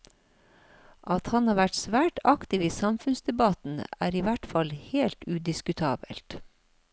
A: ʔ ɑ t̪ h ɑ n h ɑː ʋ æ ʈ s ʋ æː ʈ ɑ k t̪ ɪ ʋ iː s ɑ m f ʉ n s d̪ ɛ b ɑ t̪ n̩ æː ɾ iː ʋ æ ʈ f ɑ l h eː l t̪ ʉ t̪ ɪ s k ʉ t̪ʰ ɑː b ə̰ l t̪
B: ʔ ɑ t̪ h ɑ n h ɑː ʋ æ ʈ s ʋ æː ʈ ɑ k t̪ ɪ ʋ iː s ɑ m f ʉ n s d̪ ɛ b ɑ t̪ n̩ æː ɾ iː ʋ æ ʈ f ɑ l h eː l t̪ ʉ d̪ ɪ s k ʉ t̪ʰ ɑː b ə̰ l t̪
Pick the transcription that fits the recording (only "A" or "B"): B